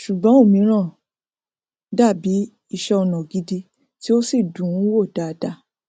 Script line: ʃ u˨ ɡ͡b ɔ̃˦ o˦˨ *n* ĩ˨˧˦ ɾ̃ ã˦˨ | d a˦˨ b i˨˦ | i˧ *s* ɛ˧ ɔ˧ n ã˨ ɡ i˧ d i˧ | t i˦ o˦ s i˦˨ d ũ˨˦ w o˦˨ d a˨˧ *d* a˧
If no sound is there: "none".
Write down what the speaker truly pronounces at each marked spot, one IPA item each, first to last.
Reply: m, ʃ, d

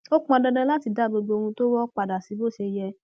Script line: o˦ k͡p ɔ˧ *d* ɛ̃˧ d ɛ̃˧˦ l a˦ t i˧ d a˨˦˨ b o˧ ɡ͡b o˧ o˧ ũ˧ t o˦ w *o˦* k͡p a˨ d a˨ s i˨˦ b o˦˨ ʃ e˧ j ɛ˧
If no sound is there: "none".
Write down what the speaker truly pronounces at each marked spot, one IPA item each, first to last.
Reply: d, ɔ˦

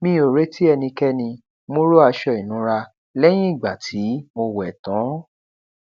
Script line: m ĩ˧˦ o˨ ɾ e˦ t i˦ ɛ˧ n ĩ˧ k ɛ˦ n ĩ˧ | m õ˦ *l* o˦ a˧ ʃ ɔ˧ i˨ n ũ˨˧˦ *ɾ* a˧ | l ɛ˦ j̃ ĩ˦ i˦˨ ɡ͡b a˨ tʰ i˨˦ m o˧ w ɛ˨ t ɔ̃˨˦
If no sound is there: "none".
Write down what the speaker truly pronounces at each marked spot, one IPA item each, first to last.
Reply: ɾ, ɾ

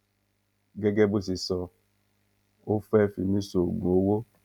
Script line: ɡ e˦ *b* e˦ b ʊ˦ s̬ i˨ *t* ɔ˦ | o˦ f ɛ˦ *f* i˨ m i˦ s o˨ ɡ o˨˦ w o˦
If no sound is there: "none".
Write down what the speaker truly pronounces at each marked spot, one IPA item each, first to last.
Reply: ɡ, s, f

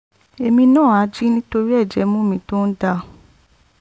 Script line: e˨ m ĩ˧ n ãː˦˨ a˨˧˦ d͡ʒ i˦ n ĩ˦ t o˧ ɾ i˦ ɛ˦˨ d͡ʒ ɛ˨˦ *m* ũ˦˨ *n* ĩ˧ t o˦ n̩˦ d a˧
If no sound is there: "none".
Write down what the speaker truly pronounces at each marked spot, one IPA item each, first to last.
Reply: m, m

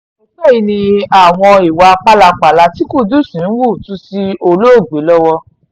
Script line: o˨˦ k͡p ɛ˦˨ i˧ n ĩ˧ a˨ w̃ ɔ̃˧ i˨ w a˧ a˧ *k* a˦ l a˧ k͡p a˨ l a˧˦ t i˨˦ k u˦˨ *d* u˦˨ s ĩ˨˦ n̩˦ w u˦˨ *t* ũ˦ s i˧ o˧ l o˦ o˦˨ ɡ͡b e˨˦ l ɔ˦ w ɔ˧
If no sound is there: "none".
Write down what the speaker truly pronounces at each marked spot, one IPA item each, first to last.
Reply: k͡p, d, t

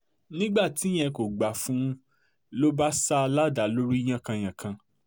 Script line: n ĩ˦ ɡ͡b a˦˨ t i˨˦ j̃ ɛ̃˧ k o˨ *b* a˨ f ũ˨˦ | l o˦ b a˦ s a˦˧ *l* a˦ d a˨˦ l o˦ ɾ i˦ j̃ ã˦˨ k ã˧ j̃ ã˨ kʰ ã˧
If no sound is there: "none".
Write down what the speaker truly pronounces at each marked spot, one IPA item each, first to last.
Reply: ɡ͡b, l

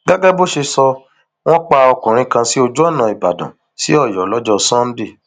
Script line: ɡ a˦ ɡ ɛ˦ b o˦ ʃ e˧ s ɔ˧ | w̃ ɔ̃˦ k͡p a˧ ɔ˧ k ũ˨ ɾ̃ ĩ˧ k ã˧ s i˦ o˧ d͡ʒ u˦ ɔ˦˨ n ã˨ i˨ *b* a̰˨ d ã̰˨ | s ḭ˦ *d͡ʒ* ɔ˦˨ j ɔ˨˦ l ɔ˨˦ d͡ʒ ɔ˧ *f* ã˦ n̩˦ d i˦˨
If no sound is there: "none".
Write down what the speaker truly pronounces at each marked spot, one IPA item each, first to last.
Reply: b, none, s

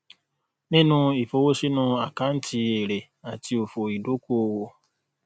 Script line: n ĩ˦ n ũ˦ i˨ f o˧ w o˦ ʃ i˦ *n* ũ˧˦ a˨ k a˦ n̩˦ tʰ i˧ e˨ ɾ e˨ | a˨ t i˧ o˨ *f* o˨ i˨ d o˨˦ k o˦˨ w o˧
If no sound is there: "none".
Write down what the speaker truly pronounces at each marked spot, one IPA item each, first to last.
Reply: n, f

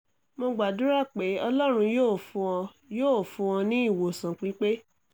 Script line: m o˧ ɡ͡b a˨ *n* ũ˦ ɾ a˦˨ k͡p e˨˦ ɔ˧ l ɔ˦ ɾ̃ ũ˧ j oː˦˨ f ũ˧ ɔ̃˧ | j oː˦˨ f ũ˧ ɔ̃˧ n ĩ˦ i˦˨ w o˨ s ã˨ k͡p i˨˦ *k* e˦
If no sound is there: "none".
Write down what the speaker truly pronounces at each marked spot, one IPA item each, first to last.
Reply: d, k͡p

